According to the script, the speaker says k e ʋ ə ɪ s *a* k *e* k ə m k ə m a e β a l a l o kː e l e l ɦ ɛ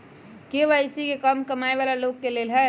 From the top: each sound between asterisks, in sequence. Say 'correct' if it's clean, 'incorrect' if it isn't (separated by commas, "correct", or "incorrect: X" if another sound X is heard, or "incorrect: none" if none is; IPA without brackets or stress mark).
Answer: incorrect: i, correct